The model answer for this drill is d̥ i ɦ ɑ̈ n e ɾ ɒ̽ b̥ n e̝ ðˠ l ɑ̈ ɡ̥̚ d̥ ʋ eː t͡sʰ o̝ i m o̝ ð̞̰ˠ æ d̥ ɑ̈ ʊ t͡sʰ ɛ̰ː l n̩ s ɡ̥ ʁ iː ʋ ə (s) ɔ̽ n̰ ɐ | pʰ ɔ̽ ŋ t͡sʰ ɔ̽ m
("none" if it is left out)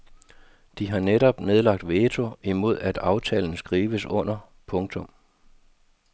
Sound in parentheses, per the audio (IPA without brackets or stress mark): s